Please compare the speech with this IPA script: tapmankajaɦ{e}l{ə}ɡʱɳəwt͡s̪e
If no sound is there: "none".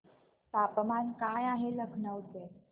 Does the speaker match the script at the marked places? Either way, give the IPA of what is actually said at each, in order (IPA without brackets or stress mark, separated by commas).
e, ə